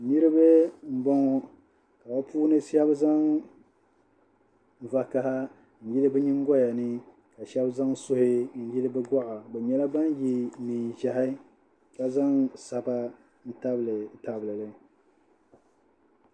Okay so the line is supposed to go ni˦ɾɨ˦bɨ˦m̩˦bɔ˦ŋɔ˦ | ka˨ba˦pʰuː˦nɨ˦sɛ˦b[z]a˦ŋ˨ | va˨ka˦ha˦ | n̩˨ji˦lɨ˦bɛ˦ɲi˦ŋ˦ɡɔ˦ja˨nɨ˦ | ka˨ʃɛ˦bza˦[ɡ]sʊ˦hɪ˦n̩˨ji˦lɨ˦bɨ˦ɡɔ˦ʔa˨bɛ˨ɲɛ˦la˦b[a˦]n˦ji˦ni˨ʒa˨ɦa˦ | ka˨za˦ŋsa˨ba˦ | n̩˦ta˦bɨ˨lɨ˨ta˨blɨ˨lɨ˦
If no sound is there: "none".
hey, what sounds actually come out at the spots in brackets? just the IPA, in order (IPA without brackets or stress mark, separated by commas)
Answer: z, ŋ, a˦